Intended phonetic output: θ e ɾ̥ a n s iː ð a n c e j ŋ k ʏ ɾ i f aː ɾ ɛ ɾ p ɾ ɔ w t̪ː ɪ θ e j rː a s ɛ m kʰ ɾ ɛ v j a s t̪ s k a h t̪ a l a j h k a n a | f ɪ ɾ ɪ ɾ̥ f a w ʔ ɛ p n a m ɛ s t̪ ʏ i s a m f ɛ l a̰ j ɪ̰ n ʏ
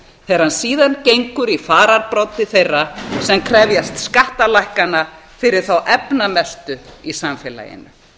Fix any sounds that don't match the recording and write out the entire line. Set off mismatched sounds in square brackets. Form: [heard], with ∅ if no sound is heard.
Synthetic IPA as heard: θ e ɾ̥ a n s iː ð a n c e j ŋ k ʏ ɾ i f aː ɾ [a] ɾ p ɾ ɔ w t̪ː ɪ θ e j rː a s ɛ m kʰ ɾ ɛ v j a s t̪ s k a h t̪ a l a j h k a n a | f ɪ ɾ ɪ ɾ̥ [θ] a w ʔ ɛ p n a m ɛ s t̪ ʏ i s a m f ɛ l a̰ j ɪ̰ n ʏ